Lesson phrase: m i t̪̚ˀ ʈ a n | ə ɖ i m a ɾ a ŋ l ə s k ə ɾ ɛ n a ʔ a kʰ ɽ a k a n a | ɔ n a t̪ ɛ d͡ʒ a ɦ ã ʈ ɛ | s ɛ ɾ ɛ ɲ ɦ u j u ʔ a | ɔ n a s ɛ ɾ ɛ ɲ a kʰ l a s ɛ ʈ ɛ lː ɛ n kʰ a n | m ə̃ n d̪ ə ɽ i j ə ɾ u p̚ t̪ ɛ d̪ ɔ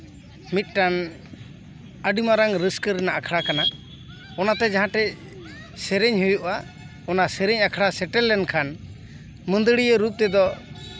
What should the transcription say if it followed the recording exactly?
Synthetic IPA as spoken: m i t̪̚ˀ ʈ a n | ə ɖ i m a ɾ a ŋ ɾ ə s k ə ɾ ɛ n a ʔ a kʰ ɽ a k a n a | ɔ n a t̪ ɛ d͡ʒ a ɦ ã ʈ ɛ | s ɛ ɾ ɛ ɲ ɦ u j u ʔ a | ɔ n a s ɛ ɾ ɛ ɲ a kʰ ɽ a s ɛ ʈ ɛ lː ɛ n kʰ a n | m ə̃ n d̪ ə ɽ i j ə ɾ u p̚ t̪ ɛ d̪ ɔ